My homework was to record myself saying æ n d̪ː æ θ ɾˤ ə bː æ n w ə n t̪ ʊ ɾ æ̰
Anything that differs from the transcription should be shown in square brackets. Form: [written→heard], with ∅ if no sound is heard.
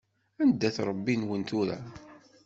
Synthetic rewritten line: æ n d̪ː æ θ ɾˤ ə bː [æ→i] n w ə n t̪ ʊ ɾ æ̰